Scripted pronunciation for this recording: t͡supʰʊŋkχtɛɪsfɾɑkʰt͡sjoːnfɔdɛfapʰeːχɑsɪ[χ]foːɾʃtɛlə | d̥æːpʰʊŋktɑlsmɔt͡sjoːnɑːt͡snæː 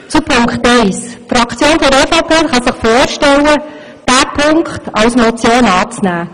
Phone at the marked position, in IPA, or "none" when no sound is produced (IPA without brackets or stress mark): χ